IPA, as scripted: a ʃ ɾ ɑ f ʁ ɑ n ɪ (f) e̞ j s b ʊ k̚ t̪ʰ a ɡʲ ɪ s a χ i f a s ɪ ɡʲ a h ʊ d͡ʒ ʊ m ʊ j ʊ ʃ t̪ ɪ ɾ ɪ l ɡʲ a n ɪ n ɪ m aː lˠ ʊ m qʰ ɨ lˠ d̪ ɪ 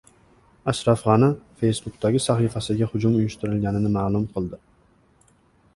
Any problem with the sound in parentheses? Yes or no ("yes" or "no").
no